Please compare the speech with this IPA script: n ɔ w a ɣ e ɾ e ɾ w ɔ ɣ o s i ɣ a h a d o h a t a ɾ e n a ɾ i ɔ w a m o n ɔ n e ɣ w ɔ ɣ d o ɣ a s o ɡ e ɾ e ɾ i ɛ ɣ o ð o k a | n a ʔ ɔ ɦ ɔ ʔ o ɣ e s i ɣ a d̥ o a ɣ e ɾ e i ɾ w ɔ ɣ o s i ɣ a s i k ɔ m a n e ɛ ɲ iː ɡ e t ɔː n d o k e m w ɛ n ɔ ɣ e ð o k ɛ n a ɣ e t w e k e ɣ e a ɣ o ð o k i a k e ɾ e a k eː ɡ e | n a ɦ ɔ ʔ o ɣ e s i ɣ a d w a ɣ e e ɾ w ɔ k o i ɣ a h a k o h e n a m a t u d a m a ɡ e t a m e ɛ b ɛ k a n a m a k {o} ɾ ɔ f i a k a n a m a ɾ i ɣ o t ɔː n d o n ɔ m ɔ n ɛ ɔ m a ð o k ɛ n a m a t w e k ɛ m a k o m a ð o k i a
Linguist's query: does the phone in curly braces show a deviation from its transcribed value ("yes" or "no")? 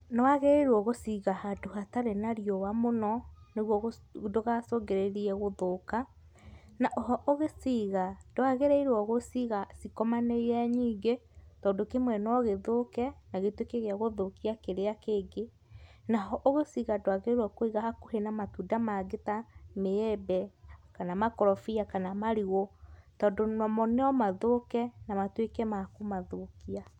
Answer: yes